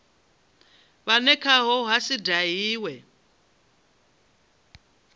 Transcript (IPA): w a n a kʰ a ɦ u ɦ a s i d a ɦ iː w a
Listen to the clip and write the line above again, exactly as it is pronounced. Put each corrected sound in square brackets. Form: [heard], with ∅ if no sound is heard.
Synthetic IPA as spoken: [β] a n [ɛ] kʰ a ɦ [ɔ] ɦ a s i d a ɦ iː w [ɛ]